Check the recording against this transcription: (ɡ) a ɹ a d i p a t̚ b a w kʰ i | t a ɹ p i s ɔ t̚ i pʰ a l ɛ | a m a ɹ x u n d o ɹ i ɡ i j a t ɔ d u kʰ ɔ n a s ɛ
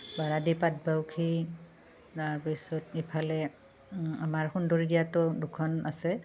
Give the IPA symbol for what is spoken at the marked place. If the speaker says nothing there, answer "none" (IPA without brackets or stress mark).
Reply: b